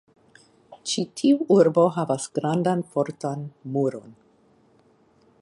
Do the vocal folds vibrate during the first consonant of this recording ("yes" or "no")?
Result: no